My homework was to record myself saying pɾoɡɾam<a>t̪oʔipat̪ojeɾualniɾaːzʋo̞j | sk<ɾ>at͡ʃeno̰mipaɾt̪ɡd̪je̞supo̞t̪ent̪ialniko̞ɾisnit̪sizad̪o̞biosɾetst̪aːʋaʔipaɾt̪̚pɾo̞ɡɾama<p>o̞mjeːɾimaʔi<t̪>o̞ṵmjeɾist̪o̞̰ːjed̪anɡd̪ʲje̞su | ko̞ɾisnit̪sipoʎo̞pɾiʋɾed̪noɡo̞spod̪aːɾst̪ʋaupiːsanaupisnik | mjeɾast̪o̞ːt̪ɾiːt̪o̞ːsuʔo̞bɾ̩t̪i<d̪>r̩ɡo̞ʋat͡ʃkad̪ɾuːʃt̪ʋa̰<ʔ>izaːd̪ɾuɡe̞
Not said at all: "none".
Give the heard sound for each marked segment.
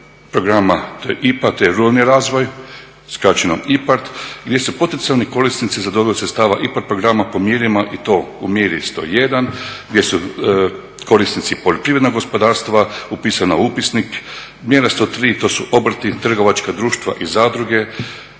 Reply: a, ɾ, p, t̪, t̪, ʔ

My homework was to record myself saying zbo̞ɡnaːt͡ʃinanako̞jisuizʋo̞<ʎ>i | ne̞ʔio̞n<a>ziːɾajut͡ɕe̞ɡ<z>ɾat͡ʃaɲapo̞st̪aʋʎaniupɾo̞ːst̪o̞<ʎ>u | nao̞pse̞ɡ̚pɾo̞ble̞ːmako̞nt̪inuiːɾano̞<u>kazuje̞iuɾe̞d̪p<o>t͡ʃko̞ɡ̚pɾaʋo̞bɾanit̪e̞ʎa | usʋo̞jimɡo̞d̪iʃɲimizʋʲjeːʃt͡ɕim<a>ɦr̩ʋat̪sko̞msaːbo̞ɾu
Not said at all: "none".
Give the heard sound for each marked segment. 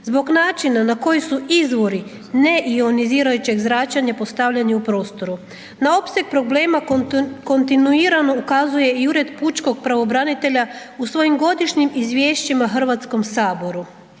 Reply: ɾ, i, z, ɾ, u, u, a

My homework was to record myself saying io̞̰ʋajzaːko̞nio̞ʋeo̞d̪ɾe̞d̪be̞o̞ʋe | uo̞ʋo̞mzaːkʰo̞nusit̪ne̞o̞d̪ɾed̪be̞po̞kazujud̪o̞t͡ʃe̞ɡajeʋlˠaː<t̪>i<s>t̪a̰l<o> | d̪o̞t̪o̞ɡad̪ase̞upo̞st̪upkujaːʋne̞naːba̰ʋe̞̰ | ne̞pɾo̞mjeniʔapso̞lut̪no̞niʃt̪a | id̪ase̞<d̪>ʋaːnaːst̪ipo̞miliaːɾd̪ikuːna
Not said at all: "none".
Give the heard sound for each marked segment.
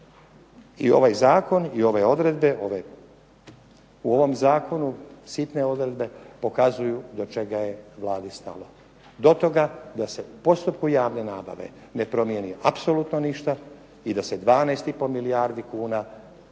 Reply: d̪, s, o, d̪

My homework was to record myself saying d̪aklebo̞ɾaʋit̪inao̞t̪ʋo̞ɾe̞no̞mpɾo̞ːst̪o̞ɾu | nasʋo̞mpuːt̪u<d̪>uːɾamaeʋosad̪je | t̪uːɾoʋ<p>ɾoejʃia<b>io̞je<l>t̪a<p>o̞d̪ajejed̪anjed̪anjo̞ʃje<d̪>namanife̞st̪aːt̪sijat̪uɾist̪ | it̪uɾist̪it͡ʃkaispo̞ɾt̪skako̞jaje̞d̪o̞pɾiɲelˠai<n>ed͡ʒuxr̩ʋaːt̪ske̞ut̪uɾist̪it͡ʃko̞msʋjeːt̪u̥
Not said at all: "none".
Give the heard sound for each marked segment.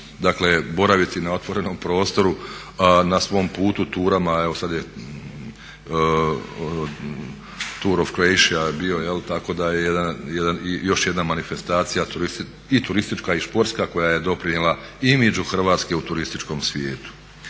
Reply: t̪, k, b, l, k, d̪, m

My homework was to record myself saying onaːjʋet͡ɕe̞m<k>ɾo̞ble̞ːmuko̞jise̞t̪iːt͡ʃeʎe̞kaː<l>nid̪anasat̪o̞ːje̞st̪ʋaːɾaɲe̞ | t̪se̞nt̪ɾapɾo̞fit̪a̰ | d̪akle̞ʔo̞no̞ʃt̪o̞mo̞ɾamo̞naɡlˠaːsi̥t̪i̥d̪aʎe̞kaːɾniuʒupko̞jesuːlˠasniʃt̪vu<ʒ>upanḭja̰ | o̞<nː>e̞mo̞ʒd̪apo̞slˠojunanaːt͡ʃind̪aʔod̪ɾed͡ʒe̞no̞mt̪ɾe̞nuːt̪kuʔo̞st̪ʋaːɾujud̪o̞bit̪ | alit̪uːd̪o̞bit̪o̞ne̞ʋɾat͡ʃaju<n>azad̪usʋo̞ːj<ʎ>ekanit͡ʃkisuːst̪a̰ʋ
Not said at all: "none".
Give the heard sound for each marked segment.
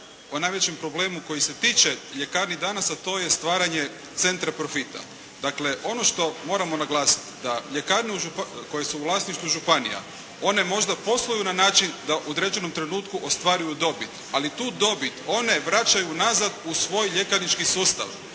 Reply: p, ɾ, ʒ, n, n, ʎ

